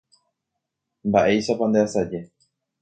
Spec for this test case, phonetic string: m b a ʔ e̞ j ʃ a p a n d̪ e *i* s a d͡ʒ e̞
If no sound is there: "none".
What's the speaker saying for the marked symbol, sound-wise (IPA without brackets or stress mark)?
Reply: a